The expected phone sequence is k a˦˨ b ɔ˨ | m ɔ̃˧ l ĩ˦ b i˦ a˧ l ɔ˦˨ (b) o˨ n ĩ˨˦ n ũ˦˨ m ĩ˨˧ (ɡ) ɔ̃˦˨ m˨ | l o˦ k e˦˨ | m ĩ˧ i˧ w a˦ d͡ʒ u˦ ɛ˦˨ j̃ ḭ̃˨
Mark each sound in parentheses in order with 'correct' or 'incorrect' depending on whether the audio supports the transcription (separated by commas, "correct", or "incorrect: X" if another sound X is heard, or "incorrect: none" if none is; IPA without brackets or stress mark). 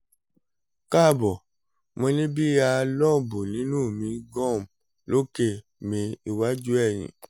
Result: correct, correct